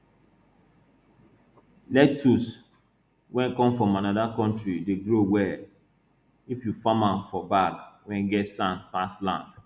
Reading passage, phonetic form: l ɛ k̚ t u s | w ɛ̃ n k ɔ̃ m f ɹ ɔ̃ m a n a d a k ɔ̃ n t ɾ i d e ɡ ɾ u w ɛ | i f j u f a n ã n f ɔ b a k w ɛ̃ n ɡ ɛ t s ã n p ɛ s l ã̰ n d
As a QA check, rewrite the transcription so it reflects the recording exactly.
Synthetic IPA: l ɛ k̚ t u s | w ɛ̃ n k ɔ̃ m f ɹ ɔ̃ m a n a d a k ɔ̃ n t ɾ i d e ɡ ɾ o w ɛ | i f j u f a m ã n f ɔ b a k w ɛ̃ n ɡ ɛ t s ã n p a s l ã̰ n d